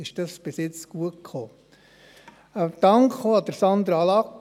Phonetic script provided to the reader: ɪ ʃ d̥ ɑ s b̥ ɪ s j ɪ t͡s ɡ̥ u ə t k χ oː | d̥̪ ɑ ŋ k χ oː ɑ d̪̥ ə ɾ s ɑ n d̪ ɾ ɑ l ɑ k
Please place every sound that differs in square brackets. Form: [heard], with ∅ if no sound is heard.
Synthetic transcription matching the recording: ɪ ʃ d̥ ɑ s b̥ ɪ s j ɪ t͡s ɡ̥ u ə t k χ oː | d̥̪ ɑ ŋ k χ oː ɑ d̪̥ ə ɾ s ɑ n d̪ ɾ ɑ l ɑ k